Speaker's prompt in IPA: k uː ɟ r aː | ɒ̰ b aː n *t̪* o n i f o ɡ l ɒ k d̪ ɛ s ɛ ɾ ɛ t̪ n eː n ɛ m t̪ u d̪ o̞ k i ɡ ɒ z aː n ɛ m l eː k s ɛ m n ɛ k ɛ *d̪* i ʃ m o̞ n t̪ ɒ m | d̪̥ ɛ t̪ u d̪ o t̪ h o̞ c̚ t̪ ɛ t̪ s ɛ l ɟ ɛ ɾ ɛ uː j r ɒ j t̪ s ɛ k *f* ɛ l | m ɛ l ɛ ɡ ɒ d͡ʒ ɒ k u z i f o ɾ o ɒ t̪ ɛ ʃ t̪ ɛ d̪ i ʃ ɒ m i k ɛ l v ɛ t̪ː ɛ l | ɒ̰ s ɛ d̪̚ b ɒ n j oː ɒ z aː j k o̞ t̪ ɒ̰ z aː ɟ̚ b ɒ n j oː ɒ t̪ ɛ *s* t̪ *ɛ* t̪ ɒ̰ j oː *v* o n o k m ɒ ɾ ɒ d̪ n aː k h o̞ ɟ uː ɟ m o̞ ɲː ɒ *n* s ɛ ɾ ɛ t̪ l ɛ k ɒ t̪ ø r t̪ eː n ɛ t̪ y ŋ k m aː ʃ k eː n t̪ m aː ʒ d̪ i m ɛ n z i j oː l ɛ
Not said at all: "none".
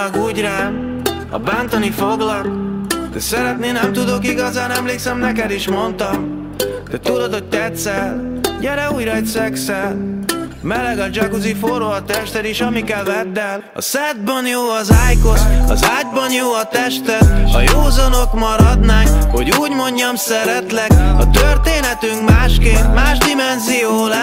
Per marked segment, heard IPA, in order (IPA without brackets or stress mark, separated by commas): t̪, d̪, s, ʃ, ɛ, z, m